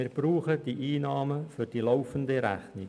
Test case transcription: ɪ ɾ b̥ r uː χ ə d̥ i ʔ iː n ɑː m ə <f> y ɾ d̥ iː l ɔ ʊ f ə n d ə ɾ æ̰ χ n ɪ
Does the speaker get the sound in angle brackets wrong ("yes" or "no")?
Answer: no